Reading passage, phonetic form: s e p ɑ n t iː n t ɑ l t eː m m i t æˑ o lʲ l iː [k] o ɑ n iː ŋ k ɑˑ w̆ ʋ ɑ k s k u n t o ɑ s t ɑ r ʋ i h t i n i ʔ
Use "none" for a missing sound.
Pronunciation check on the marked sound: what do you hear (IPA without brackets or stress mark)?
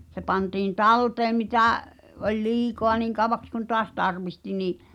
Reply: k